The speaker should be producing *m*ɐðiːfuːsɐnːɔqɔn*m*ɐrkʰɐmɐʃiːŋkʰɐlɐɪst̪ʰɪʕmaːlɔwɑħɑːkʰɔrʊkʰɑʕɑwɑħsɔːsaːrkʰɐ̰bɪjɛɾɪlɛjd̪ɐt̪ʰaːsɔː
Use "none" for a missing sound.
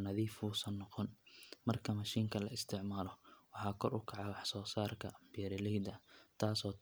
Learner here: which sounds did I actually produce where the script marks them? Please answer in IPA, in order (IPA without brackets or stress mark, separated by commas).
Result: n, m